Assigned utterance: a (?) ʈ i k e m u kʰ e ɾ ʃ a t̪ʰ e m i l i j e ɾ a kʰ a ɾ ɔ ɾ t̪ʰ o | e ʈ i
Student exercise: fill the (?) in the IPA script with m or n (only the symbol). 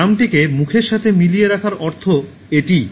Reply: m